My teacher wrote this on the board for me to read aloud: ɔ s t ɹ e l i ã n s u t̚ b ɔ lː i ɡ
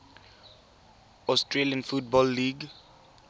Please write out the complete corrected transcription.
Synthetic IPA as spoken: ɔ s t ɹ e l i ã n f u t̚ b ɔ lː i ɡ